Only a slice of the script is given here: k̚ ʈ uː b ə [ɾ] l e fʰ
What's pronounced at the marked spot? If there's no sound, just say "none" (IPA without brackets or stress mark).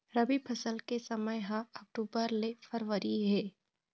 ɾ